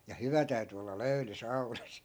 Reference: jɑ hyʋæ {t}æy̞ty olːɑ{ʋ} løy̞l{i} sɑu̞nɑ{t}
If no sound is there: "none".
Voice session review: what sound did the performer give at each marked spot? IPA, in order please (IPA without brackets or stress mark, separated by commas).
t, none, y, s